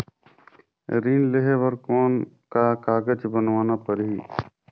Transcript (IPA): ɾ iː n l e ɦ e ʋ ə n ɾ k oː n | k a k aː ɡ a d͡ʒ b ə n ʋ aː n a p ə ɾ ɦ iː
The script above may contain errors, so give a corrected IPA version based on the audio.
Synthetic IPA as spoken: ɾ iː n l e ɦ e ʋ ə ɾ k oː n | k a k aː ɡ ə d͡ʒ b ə n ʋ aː n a p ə ɾ ɦ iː